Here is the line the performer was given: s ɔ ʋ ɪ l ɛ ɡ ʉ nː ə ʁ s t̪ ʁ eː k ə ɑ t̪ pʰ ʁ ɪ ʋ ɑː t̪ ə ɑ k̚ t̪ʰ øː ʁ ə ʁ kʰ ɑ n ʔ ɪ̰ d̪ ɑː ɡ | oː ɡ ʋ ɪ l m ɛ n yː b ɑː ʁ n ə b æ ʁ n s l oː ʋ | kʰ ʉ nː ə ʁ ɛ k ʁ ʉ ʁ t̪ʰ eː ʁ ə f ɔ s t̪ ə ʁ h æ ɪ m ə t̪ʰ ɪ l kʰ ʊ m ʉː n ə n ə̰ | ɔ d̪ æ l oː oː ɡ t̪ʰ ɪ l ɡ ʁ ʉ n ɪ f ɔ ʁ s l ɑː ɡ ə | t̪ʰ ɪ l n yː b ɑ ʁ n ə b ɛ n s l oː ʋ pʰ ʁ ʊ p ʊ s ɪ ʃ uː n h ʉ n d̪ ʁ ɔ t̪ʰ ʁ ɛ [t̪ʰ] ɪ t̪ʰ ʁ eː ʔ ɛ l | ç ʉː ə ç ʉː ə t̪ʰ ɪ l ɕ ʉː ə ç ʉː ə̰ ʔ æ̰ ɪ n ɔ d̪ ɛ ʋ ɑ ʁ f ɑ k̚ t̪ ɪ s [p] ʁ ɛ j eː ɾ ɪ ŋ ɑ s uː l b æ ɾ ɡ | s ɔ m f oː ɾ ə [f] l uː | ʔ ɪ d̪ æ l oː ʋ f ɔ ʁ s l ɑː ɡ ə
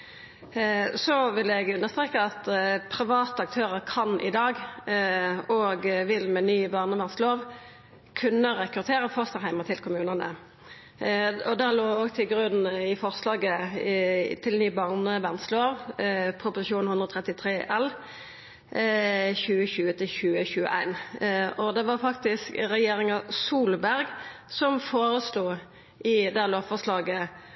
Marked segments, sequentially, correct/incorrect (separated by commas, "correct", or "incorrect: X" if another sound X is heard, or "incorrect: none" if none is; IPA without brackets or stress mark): incorrect: t̪, incorrect: k, incorrect: s